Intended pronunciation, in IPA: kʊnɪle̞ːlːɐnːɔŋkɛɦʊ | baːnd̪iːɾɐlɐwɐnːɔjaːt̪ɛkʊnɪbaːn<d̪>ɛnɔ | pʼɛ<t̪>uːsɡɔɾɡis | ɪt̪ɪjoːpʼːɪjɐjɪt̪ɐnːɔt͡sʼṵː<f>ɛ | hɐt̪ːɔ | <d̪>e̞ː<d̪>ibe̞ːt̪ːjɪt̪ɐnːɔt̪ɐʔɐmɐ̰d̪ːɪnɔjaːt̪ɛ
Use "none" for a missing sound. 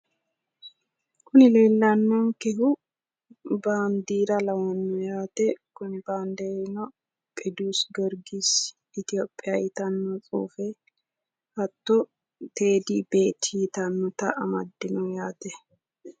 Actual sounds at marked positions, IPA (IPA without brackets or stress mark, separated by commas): d̪, d̪, f, t̪, d̪